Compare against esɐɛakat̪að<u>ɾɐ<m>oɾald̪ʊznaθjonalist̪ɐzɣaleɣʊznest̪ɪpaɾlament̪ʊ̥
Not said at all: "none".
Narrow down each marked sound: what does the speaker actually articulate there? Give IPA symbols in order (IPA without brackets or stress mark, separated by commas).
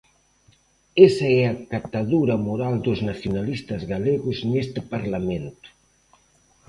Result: u, m